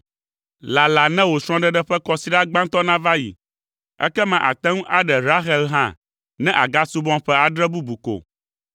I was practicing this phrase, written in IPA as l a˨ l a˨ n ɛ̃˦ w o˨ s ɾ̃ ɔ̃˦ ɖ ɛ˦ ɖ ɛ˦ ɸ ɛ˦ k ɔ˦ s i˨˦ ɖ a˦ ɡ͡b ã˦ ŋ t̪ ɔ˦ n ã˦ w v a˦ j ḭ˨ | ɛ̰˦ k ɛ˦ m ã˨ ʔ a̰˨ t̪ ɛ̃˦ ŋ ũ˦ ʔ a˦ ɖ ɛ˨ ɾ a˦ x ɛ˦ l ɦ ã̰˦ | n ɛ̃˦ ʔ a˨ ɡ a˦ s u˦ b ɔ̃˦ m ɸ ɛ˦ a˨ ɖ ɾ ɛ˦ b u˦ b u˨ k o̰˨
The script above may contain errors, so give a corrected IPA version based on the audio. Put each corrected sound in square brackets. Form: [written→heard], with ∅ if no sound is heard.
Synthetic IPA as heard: l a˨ l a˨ n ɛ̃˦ w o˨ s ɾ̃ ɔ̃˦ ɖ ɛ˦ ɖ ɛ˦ ɸ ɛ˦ k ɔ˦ s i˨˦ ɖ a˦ ɡ͡b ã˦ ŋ t̪ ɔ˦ n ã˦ [w→∅] v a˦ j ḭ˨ | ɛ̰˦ k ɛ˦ m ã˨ ʔ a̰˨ t̪ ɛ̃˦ ŋ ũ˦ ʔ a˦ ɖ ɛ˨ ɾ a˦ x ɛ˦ l ɦ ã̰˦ | n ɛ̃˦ ʔ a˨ ɡ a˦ s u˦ b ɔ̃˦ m ɸ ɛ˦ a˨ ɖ ɾ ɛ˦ b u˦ b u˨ k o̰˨

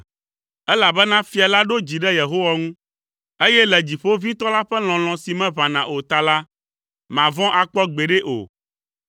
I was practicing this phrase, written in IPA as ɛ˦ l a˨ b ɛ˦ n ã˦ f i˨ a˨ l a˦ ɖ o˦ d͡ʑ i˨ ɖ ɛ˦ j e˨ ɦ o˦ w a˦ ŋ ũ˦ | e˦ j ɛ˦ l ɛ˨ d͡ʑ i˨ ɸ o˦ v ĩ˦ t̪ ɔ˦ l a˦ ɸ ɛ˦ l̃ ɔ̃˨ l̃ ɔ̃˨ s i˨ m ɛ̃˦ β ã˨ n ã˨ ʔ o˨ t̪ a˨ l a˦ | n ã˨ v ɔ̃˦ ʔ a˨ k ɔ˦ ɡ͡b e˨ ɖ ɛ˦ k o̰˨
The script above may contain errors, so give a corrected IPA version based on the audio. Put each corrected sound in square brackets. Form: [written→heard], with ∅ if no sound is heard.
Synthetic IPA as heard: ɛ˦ l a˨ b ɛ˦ n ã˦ f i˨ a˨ l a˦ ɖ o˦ d͡ʑ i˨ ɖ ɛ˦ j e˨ ɦ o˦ w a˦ ŋ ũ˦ | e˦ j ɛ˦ l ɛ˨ d͡ʑ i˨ ɸ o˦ v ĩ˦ t̪ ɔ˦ l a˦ ɸ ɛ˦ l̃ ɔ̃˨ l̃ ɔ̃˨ s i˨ m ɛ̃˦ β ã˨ n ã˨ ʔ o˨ t̪ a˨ l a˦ | [n→m] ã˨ v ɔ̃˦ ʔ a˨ [k→k͡p] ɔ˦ ɡ͡b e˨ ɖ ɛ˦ [k→ʔ] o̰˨

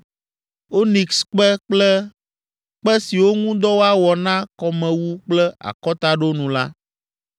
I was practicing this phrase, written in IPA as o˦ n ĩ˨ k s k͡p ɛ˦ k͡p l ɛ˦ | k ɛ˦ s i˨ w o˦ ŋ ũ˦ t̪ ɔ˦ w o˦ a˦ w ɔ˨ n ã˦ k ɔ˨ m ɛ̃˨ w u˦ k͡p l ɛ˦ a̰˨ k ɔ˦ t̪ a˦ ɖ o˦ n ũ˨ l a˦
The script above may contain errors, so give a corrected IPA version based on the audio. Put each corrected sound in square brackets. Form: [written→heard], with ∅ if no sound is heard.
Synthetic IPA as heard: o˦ n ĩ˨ k s k͡p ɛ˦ k͡p l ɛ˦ | [k→k͡p] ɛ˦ s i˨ w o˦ ŋ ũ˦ [t̪→d̪] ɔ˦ w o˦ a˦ w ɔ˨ n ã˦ k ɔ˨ m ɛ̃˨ w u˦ k͡p l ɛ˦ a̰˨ k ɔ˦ t̪ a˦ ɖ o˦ n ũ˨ l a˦

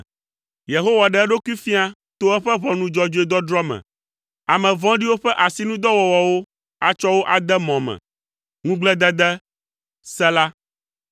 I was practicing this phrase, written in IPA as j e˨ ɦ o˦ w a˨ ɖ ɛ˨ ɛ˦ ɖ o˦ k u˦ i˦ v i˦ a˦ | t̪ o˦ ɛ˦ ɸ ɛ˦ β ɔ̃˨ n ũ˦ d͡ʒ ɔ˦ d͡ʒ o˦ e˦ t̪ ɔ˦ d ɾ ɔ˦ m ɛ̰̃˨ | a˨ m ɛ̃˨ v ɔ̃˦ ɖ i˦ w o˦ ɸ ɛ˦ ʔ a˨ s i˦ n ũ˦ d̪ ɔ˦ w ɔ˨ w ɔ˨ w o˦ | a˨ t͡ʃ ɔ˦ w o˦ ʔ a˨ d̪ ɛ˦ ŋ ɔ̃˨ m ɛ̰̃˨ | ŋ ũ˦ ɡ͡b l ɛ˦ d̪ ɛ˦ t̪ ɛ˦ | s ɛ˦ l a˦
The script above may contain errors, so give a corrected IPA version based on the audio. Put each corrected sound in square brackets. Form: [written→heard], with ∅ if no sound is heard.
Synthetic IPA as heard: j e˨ ɦ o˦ w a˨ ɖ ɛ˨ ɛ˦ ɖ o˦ k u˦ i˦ [v→f] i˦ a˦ | t̪ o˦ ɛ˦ ɸ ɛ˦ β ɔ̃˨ n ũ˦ d͡ʒ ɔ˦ d͡ʒ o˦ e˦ [t̪→d̪] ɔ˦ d ɾ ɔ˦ m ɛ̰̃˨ | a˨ m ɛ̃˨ v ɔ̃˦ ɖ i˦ w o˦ ɸ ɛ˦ ʔ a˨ s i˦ n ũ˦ d̪ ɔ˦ w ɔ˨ w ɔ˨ w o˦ | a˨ t͡ʃ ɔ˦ w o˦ ʔ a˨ d̪ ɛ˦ [ŋ→m] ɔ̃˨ m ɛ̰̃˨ | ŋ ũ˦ ɡ͡b l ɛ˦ d̪ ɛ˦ [t̪→d̪] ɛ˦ | s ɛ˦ l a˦

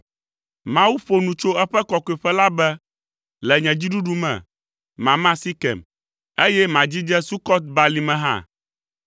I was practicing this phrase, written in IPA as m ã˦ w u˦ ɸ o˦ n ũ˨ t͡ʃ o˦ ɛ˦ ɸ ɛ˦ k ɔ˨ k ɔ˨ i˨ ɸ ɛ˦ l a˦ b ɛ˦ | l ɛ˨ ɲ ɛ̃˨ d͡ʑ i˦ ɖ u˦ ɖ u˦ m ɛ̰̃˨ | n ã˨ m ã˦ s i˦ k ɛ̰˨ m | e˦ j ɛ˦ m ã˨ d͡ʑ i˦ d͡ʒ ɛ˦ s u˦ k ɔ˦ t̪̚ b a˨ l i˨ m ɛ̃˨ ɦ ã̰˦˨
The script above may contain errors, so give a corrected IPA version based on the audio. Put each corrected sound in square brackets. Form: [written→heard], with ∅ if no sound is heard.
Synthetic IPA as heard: m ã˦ w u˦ ɸ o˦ n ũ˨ t͡ʃ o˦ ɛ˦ ɸ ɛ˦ k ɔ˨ k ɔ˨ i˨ ɸ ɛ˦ l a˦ b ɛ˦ | l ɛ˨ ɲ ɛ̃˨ d͡ʑ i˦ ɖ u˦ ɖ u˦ m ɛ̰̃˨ | [n→m] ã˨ m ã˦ s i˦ k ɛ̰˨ m | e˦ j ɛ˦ m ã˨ d͡ʑ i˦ d͡ʒ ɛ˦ s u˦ k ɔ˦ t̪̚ b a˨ l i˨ m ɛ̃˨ ɦ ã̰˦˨

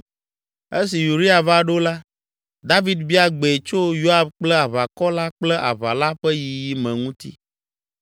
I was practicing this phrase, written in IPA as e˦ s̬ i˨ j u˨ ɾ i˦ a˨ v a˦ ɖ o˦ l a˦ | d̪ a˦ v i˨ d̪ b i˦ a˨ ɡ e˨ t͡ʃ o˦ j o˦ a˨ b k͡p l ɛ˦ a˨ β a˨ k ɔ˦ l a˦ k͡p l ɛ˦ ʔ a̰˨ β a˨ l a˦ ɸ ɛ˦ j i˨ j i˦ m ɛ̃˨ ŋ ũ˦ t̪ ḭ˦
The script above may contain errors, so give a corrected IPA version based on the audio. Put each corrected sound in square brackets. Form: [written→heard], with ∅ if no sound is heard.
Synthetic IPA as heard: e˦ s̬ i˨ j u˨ ɾ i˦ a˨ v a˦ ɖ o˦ l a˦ | d̪ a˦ v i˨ d̪ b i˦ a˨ [ɡ→ɡ͡b] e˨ t͡ʃ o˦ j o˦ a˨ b k͡p l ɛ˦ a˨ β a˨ k ɔ˦ l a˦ k͡p l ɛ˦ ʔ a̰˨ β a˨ l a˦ ɸ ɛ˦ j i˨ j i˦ m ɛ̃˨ ŋ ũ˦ t̪ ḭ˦

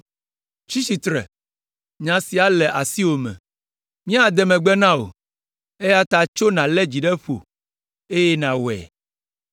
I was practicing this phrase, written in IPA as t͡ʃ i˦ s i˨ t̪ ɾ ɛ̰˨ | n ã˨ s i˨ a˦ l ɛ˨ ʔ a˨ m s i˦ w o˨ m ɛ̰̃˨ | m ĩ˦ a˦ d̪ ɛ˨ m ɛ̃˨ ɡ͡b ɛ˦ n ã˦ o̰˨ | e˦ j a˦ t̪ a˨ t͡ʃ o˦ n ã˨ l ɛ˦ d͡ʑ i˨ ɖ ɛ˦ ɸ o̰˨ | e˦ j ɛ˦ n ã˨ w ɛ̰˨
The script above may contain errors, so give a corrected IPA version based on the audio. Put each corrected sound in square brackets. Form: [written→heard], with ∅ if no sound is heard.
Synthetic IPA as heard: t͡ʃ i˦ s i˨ t̪ ɾ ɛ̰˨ | [n→ɲ] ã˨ s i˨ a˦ l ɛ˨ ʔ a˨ [m→∅] s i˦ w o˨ m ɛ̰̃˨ | m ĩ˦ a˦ d̪ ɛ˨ m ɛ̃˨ ɡ͡b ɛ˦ n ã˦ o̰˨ | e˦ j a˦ t̪ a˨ t͡ʃ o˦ n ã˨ l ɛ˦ d͡ʑ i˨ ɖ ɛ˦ ɸ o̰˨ | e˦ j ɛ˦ n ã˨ w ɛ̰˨

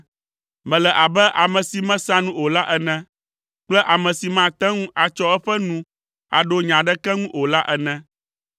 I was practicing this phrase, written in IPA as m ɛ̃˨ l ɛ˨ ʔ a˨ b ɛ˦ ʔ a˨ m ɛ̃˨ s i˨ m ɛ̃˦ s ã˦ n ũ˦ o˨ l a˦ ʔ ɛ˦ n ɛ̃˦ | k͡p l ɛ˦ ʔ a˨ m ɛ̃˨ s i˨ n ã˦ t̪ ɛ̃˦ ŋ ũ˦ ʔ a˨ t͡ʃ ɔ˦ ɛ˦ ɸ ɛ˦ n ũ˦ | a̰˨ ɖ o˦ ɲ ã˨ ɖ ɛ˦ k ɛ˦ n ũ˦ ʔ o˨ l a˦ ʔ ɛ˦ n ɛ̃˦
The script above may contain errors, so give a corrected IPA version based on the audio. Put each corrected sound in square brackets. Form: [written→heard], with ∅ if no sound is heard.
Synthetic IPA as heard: m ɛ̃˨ l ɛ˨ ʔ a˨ b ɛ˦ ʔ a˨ m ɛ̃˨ s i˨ m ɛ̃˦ s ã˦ n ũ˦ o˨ l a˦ ʔ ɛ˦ n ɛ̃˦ | k͡p l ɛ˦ ʔ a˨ m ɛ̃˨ s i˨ [n→m] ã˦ t̪ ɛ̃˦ ŋ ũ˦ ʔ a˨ t͡ʃ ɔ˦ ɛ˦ ɸ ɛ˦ n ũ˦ | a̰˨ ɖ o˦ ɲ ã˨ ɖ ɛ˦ k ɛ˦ [n→ŋ] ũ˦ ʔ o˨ l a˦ ʔ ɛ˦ n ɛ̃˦

